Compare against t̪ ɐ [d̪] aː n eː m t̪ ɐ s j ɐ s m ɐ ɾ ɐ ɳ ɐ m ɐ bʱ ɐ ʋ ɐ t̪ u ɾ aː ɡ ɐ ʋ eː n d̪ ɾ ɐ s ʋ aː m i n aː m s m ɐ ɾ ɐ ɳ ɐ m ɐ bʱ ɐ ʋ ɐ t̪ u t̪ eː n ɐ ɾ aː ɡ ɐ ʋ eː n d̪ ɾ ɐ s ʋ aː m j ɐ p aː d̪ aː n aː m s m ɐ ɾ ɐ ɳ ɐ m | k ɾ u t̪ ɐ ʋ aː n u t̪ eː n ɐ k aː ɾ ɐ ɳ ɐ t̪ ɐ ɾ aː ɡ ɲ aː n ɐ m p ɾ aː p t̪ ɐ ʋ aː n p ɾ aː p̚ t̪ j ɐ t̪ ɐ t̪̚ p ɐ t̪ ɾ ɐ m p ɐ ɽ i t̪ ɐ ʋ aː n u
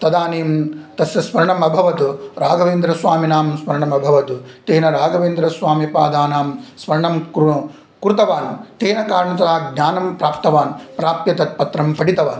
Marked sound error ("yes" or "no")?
no